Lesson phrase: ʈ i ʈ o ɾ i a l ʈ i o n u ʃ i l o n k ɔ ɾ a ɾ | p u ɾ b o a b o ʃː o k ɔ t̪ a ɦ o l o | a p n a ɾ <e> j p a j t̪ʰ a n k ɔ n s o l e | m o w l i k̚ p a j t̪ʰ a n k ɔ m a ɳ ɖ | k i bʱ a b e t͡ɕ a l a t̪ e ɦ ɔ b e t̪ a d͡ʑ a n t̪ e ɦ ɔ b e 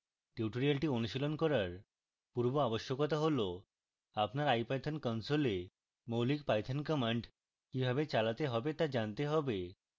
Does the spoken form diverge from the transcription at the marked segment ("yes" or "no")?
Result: yes